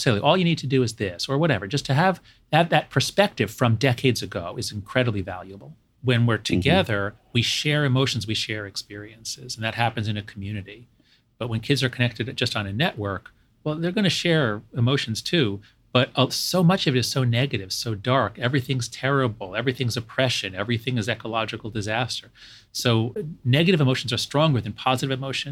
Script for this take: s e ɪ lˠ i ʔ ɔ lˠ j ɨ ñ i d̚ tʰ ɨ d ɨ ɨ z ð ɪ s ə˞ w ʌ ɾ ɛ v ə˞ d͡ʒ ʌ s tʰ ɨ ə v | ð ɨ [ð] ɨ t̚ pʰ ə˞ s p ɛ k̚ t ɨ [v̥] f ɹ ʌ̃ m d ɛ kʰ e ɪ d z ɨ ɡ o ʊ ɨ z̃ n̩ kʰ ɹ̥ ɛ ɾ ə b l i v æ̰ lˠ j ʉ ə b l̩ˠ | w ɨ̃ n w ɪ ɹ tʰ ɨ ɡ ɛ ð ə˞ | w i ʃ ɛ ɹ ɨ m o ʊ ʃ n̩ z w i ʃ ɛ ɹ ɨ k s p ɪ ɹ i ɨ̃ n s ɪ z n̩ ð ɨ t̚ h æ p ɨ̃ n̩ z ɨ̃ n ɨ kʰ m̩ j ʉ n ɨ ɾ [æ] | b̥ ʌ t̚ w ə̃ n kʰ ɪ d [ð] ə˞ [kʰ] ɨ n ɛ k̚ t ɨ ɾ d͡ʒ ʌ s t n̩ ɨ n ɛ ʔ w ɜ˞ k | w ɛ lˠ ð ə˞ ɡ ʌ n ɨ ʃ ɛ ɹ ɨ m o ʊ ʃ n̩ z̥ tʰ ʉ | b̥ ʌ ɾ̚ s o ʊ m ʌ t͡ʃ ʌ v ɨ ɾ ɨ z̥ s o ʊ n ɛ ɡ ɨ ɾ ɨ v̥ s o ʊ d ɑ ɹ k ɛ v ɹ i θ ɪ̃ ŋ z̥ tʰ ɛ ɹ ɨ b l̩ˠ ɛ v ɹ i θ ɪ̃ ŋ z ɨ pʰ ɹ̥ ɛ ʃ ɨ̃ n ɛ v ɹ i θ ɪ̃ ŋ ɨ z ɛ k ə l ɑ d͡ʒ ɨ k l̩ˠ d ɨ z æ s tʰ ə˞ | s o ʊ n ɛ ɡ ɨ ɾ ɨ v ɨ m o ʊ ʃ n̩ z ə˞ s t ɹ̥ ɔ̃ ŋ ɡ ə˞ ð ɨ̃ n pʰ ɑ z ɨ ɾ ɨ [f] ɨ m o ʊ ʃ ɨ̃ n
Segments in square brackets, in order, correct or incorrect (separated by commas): correct, correct, incorrect, incorrect, correct, incorrect